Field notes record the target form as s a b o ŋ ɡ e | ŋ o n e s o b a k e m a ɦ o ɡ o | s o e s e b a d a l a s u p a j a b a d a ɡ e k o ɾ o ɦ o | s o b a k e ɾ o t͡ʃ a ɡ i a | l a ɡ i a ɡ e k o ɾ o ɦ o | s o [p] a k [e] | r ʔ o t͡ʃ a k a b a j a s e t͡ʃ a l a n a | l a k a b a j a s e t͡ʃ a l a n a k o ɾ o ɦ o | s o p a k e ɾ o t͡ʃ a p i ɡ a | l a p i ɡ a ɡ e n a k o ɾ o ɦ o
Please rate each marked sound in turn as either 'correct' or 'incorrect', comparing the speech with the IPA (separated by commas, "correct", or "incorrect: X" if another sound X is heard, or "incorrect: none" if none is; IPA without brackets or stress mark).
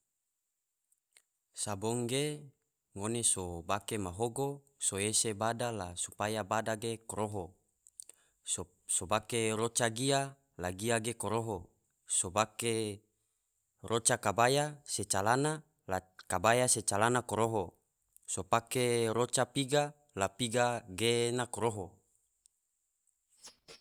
incorrect: b, correct